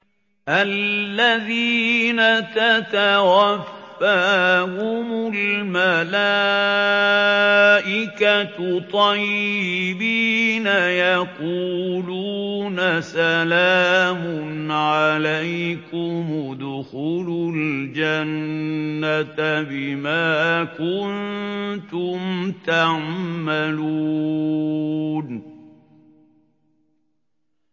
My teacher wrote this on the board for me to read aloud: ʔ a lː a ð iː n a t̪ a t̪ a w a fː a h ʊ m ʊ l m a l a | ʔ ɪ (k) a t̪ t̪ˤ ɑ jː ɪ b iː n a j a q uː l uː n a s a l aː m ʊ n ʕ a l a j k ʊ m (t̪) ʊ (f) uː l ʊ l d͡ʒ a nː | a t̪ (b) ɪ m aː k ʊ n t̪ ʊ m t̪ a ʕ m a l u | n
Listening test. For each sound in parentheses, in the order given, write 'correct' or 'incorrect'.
correct, incorrect: d̪, incorrect: x, correct

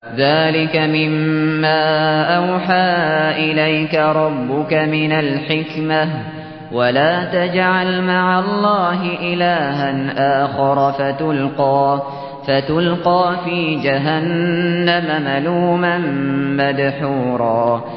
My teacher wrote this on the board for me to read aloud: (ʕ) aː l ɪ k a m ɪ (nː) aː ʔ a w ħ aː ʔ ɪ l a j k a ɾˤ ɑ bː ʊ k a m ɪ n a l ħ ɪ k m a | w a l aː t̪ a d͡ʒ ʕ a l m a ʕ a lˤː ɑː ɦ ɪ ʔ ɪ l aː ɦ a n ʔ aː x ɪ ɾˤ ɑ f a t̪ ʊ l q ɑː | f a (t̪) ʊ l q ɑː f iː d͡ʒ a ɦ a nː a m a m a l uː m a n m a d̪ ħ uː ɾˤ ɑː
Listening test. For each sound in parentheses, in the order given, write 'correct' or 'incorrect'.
incorrect: ð, incorrect: mː, correct

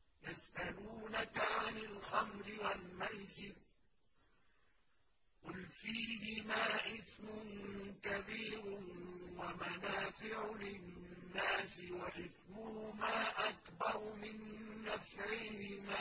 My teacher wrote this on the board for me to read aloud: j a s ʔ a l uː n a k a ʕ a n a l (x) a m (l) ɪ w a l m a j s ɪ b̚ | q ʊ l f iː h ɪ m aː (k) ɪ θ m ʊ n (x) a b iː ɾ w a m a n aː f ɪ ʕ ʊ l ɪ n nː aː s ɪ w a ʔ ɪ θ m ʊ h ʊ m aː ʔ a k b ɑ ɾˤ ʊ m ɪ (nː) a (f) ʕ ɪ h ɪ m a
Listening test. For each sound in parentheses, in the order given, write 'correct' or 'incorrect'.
correct, incorrect: ɾ, incorrect: ʔ, incorrect: k, correct, correct

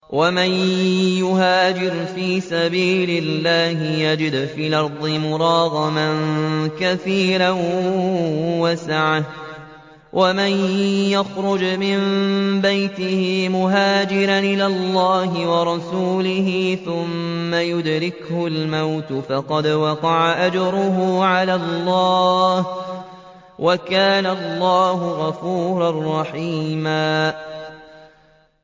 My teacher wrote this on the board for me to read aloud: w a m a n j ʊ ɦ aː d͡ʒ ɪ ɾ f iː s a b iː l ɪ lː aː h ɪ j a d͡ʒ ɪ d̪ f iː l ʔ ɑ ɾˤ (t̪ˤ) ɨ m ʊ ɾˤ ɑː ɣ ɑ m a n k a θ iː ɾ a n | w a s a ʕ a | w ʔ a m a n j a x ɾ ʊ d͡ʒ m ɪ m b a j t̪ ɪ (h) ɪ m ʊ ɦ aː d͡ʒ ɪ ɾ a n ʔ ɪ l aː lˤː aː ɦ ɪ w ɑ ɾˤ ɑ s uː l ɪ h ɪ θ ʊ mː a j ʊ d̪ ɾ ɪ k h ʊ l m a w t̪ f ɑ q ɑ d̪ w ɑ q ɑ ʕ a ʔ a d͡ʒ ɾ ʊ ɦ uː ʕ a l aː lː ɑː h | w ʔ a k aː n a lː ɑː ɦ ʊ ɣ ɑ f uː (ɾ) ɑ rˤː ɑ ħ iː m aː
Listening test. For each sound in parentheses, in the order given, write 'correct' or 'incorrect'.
incorrect: d̪ˤ, correct, correct

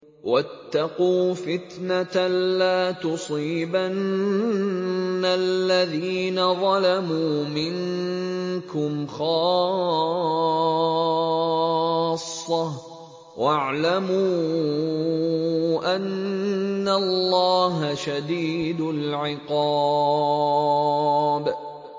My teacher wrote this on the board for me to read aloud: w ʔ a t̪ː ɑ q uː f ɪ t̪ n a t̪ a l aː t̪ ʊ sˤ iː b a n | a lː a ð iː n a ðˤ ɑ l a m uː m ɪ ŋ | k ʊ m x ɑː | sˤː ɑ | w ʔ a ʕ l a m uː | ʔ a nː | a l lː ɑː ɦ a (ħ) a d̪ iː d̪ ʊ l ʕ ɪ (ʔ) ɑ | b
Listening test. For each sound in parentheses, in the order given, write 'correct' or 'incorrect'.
incorrect: ʃ, incorrect: q

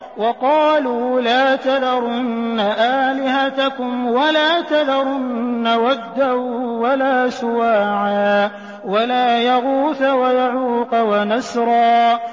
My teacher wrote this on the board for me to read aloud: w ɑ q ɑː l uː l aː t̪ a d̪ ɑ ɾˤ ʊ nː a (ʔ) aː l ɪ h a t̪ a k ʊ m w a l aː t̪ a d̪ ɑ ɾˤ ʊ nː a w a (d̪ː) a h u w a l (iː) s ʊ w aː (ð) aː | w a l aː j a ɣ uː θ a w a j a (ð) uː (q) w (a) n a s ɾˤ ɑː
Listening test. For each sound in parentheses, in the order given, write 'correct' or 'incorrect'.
correct, correct, incorrect: aː, incorrect: ʕ, incorrect: ʕ, correct, correct

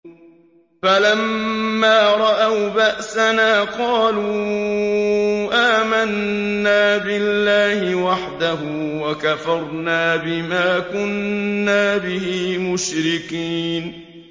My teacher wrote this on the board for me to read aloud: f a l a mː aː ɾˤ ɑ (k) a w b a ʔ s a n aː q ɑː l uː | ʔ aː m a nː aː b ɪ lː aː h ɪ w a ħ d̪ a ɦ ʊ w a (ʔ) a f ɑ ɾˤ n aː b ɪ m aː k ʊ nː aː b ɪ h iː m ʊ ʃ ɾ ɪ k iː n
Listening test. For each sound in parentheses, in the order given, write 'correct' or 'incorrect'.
incorrect: ʔ, incorrect: k

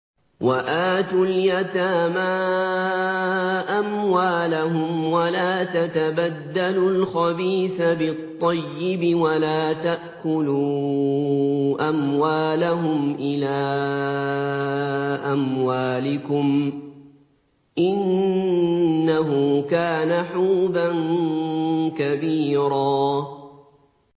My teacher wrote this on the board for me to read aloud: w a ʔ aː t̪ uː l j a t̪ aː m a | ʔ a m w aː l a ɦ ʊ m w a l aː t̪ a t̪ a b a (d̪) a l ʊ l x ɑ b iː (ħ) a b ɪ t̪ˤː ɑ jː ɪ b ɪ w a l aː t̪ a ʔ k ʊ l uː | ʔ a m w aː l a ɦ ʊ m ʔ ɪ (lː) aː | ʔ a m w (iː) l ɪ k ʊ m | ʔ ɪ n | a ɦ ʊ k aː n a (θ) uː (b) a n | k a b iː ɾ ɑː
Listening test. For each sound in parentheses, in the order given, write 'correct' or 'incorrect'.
incorrect: d̪ː, incorrect: θ, incorrect: l, incorrect: aː, incorrect: ħ, correct

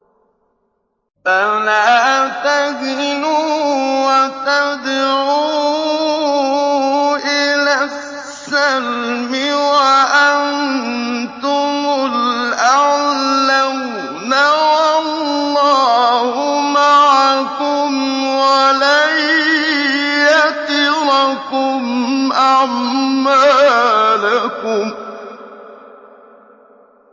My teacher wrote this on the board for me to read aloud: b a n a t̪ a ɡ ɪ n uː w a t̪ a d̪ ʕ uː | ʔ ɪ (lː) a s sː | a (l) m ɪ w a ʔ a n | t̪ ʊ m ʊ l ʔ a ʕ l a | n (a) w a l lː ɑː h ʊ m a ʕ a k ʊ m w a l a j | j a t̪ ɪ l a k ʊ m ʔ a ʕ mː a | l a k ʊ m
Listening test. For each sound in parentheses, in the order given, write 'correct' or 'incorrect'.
incorrect: l, correct, correct

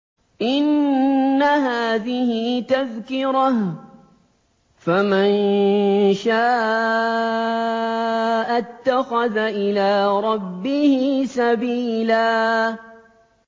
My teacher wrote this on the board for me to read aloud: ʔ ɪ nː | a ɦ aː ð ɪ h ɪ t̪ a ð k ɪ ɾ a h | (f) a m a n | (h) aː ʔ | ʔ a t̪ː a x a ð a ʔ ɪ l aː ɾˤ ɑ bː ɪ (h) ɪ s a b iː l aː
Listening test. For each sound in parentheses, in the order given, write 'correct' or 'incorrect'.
correct, incorrect: ʃ, correct

